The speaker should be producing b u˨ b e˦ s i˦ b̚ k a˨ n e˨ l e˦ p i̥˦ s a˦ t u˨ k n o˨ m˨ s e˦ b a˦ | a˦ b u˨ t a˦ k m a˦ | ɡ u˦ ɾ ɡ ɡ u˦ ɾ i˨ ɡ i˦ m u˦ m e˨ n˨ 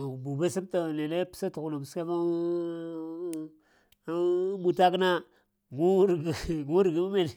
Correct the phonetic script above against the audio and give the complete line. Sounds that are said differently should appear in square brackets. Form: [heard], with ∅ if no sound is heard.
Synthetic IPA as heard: b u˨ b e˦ s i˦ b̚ [t] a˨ n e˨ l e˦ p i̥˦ s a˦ t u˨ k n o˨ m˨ s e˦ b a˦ | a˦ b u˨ t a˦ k [n] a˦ | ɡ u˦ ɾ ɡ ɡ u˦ ɾ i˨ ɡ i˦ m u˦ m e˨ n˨